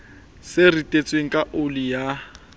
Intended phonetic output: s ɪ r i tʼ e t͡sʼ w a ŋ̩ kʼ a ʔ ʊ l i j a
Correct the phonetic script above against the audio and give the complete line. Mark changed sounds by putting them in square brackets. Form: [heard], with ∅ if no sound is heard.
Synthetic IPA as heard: s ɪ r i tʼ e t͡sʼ w [e] ŋ̩ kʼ a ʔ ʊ l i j a